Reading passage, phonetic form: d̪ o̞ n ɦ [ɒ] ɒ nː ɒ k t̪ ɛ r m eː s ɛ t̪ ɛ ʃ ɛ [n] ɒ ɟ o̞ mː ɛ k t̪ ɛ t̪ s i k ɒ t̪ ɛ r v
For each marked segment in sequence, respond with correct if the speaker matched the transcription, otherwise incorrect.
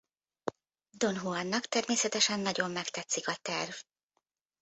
incorrect: u, incorrect: nː

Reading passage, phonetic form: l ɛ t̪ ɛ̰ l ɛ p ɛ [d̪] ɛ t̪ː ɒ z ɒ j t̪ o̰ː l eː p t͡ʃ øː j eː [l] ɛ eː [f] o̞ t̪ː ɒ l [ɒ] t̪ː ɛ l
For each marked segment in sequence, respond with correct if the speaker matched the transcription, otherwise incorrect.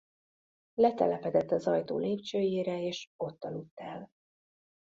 correct, incorrect: ɾ, incorrect: ʃ, incorrect: u

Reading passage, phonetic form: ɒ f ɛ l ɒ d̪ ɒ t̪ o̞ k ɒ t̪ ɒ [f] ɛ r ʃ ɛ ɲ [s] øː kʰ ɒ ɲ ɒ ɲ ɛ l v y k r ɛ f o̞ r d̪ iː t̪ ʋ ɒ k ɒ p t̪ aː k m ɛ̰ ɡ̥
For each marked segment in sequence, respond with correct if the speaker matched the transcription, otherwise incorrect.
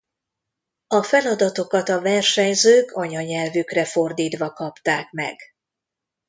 incorrect: v, incorrect: z

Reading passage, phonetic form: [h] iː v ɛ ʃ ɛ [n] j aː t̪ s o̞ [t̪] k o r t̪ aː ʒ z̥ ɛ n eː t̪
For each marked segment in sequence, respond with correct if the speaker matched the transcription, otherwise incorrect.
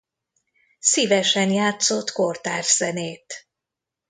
incorrect: s, correct, correct

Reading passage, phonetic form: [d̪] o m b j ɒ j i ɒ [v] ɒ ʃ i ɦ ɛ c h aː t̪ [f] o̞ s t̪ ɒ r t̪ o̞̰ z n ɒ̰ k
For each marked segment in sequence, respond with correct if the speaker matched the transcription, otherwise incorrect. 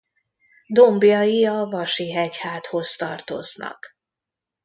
correct, correct, incorrect: h

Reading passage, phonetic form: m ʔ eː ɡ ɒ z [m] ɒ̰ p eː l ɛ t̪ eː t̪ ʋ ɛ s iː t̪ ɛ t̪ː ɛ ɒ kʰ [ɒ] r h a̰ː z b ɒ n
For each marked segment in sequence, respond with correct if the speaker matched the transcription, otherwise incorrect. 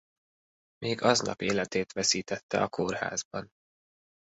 incorrect: n, incorrect: o

